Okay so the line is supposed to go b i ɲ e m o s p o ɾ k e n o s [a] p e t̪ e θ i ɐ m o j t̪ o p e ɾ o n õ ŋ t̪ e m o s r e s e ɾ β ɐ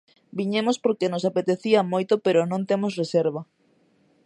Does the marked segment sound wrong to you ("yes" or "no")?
no